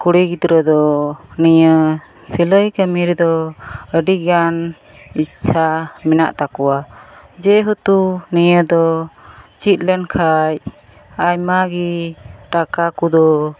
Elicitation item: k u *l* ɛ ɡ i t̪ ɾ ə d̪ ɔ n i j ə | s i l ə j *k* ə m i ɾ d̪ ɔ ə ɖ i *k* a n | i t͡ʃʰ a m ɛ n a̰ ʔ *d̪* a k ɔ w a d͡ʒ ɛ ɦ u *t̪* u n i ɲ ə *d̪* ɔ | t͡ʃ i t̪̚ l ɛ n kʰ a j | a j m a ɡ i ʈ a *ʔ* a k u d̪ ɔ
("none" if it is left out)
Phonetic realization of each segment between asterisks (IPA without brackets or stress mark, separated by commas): ɽ, k, ɡ, t̪, t̪, d̪, k